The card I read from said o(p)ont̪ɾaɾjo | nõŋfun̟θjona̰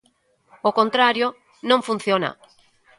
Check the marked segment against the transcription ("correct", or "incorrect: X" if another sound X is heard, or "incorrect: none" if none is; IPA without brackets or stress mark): incorrect: k